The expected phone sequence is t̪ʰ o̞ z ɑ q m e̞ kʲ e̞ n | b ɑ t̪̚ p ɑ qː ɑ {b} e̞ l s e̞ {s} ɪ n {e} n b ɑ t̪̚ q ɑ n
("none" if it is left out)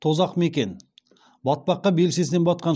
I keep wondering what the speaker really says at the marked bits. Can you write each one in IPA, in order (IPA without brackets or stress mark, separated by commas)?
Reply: b, s, e